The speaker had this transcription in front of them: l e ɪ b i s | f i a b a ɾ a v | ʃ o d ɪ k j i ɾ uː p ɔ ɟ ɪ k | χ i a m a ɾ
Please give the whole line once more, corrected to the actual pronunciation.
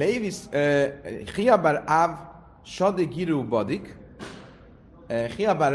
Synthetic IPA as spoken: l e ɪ v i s | χ i a b a ɾ a v | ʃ ɔ d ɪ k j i ɾ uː b ɔ d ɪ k | χ i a b a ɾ